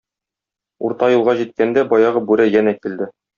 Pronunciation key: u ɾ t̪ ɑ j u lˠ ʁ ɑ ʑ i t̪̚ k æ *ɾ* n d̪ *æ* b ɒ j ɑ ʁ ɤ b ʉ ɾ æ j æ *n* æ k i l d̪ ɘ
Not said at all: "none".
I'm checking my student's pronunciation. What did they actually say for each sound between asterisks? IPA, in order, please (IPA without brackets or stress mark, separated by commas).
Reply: none, æ, n